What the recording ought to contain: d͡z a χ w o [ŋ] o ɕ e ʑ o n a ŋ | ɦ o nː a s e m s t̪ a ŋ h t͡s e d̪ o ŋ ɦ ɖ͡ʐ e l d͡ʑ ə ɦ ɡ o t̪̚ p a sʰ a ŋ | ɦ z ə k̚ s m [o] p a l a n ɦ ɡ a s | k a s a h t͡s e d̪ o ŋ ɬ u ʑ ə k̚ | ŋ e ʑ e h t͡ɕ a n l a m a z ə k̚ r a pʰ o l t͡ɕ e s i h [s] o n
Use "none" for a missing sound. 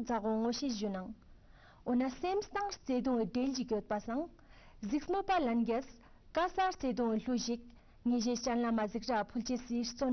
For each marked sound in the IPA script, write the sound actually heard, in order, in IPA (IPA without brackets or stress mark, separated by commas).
ŋ, o, t͡s